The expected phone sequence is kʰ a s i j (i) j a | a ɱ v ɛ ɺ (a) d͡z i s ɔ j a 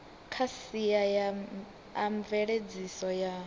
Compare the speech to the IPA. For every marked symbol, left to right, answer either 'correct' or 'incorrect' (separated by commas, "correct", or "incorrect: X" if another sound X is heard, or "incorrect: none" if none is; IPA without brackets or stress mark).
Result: incorrect: a, incorrect: e